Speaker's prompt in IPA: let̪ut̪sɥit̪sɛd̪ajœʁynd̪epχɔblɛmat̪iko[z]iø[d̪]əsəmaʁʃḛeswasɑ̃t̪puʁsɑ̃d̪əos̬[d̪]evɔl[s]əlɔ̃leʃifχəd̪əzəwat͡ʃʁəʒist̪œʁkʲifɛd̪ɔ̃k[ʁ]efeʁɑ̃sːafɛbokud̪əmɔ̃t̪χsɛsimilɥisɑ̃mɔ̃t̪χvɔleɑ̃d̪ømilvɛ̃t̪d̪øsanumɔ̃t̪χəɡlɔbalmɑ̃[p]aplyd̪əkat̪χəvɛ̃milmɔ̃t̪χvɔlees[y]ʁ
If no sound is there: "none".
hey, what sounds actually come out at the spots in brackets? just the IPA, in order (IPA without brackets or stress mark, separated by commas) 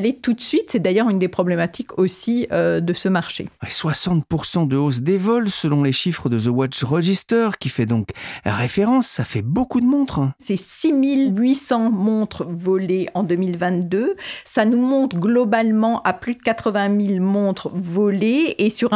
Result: s, d̪, d̪, s, ʁ, ʔ, y